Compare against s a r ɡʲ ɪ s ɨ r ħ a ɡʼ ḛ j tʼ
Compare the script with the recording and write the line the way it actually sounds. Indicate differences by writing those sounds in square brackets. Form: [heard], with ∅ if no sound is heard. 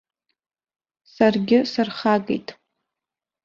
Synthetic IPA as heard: s a r ɡʲ ɪ s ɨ r [χ] a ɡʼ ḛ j tʼ